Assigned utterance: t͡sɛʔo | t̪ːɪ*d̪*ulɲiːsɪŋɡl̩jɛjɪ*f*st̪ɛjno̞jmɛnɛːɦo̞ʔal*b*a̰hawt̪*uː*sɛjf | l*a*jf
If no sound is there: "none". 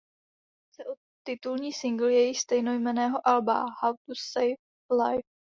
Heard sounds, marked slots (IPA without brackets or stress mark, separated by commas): t̪, x, b, u, a